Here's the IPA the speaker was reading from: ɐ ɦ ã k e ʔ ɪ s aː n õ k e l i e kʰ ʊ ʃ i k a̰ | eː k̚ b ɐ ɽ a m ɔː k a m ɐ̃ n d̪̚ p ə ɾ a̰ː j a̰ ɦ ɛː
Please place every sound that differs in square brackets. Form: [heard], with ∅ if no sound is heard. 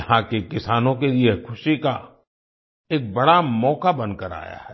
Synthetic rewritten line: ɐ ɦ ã k e [k] ɪ s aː n õ k e l i e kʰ ʊ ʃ i k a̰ | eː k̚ b ɐ ɽ a m ɔː k a [b] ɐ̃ n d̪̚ [k] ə ɾ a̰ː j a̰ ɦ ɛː